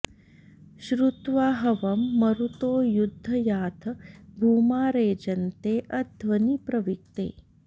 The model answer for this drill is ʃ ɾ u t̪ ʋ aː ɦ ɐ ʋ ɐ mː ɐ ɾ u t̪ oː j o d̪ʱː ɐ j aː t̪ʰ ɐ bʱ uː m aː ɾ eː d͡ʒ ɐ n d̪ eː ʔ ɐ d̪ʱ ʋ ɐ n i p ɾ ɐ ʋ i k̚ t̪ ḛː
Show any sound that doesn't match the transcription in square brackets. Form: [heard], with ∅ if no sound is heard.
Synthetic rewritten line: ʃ ɾ u t̪ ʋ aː ɦ ɐ ʋ ɐ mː ɐ ɾ u t̪ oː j [u] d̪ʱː ɐ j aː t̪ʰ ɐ bʱ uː m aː ɾ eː d͡ʒ ɐ n [t̪] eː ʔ ɐ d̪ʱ ʋ ɐ n i p ɾ ɐ ʋ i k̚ t̪ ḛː

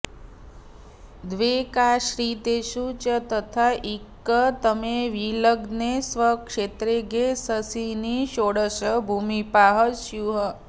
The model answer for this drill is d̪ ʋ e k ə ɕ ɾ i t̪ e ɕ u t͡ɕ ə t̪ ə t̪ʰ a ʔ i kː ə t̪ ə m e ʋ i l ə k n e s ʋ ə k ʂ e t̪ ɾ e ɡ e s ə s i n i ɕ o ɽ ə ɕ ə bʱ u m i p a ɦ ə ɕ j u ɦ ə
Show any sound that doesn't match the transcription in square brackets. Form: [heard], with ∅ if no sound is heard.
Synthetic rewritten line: d̪ ʋ e k [a] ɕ ɾ i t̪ e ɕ u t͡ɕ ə t̪ ə t̪ʰ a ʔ i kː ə t̪ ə m e ʋ i l ə [ɡ] n e s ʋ ə k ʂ e t̪ ɾ e ɡ e s ə s i n i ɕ o ɽ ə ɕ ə bʱ u m i p a ɦ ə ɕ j u ɦ ə

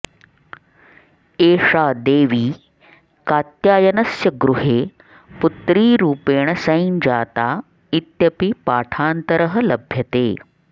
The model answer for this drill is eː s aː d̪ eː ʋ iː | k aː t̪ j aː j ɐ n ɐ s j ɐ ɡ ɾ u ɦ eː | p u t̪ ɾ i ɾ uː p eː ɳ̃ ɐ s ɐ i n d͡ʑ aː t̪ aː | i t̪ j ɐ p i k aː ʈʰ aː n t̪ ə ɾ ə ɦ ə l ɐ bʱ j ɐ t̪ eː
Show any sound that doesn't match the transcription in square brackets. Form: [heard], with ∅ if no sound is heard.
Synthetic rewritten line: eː [ʂ] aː d̪ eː ʋ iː | k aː t̪ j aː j ɐ n ɐ s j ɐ ɡ ɾ u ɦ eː | p u t̪ ɾ [iː] ɾ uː p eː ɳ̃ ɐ s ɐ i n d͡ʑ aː t̪ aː | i t̪ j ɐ p i [p] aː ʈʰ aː n t̪ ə ɾ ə ɦ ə l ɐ bʱ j ɐ t̪ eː

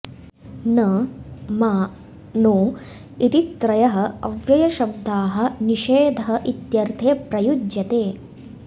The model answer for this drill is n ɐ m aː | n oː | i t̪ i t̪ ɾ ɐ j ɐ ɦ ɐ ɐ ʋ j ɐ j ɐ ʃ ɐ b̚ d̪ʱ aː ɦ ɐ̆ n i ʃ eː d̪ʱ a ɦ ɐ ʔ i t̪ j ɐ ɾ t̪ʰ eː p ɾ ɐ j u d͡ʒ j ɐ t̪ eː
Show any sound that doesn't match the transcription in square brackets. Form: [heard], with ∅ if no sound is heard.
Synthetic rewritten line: n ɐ m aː | n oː | i t̪ i t̪ ɾ ɐ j ɐ ɦ ɐ ɐ ʋ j ɐ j ɐ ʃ ɐ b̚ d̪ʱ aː ɦ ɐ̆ n i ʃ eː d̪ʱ [ɐ] ɦ ɐ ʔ i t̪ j ɐ ɾ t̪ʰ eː p ɾ ɐ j u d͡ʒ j ɐ t̪ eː

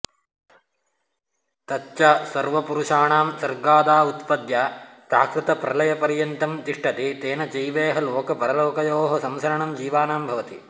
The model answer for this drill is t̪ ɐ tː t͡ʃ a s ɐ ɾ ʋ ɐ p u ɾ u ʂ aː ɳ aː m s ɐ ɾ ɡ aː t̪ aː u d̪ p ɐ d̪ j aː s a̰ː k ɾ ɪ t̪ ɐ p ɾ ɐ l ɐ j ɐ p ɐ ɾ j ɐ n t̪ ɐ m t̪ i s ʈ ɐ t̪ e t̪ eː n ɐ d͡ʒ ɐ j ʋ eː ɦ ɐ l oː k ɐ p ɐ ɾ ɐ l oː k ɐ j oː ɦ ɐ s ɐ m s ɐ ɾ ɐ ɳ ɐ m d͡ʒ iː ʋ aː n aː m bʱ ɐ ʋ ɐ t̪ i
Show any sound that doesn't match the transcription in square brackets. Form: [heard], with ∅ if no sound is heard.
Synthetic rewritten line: t̪ ɐ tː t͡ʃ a s ɐ ɾ ʋ ɐ p u ɾ u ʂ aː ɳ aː m s ɐ ɾ ɡ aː [d̪] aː u [t̪] p ɐ d̪ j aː s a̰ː k ɾ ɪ t̪ ɐ p ɾ ɐ l ɐ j ɐ p ɐ ɾ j ɐ n t̪ ɐ m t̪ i [ʂ] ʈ ɐ t̪ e t̪ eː n ɐ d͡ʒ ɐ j ʋ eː ɦ ɐ l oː k ɐ p ɐ ɾ ɐ l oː k ɐ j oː ɦ ɐ s ɐ m s ɐ ɾ ɐ ɳ ɐ m d͡ʒ iː ʋ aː n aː m bʱ ɐ ʋ ɐ t̪ i

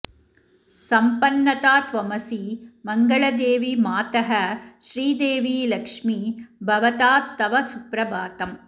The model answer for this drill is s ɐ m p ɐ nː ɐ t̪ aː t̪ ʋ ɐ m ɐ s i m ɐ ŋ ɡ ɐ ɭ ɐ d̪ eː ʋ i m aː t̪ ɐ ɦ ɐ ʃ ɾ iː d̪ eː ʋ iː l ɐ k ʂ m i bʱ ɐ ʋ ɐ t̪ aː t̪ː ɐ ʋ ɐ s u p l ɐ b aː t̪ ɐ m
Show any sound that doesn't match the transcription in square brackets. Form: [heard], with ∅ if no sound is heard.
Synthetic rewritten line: s ɐ m p ɐ nː ɐ t̪ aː t̪ ʋ ɐ m ɐ s i m ɐ ŋ ɡ ɐ ɭ ɐ d̪ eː ʋ i m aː t̪ ɐ ɦ ɐ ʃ ɾ iː d̪ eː ʋ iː l ɐ k ʂ m i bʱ ɐ ʋ ɐ t̪ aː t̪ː ɐ ʋ ɐ s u p [ɾ] ɐ b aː t̪ ɐ m

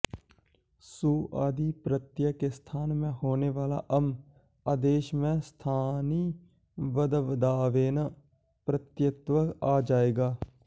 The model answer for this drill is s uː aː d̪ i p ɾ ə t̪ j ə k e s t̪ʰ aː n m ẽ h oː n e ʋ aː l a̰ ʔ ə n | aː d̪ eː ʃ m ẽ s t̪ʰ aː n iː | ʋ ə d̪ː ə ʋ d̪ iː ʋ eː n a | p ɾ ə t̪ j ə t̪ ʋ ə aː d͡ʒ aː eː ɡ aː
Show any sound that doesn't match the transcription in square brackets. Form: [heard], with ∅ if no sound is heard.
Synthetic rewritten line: s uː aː d̪ i p ɾ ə t̪ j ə k e s t̪ʰ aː n m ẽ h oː n e ʋ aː l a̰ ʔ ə [m] | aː d̪ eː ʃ m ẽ s t̪ʰ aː n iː | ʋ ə [d̪] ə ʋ d̪ [aː] ʋ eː n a | p ɾ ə t̪ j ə t̪ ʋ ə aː d͡ʒ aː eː ɡ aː

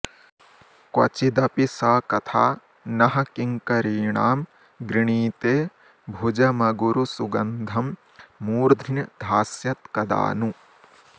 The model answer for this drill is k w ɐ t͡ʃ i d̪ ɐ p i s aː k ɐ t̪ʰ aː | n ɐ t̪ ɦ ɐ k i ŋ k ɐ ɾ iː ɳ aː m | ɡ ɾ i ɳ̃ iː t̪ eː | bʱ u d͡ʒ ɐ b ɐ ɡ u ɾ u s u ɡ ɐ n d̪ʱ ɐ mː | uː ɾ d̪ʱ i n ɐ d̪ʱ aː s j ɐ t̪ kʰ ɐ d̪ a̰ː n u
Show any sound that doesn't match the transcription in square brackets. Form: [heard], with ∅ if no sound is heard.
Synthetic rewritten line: k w ɐ t͡ʃ i d̪ ɐ p i s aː k ɐ t̪ʰ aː | n ɐ [∅] ɦ ɐ k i ŋ k ɐ ɾ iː ɳ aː m | ɡ ɾ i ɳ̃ iː t̪ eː | bʱ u d͡ʒ ɐ [m] ɐ ɡ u ɾ u s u ɡ ɐ n d̪ʱ ɐ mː | uː ɾ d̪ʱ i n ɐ d̪ʱ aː s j ɐ t̪ [k] ɐ d̪ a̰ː n u

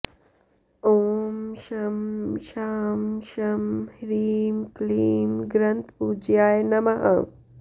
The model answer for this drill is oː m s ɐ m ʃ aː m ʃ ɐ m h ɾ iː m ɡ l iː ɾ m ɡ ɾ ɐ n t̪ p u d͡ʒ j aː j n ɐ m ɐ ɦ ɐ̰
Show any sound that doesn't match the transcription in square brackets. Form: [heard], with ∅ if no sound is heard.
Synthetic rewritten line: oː m [ʃ] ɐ m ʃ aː m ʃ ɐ m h ɾ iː m [k] l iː [∅] m ɡ ɾ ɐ n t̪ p u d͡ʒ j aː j n ɐ m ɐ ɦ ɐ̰

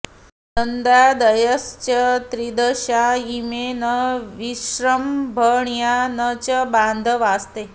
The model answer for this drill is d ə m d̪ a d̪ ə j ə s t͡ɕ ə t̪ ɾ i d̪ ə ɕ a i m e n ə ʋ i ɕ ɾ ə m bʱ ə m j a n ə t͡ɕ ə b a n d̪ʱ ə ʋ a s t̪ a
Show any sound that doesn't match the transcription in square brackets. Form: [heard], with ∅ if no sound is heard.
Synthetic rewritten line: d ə [n] d̪ a d̪ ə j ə s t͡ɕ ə t̪ ɾ i d̪ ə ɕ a i m e n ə ʋ i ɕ ɾ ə m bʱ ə [ɳ] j a n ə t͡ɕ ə b a n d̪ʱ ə ʋ a s t̪ [e]

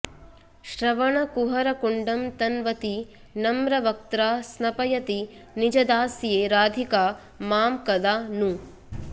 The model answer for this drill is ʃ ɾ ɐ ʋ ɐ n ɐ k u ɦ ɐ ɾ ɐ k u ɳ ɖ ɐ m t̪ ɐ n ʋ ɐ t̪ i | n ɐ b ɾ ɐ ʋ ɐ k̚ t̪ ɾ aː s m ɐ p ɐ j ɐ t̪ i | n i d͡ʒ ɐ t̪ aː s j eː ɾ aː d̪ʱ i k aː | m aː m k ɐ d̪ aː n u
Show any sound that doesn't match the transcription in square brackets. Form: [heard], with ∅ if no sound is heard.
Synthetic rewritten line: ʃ ɾ ɐ ʋ ɐ [ɳ] ɐ k u ɦ ɐ ɾ ɐ k u ɳ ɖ ɐ m t̪ ɐ n ʋ ɐ t̪ i | n ɐ [m] ɾ ɐ ʋ ɐ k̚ t̪ ɾ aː s [n] ɐ p ɐ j ɐ t̪ i | n i d͡ʒ ɐ [d̪] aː s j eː ɾ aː d̪ʱ i k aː | m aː m k ɐ d̪ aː n u

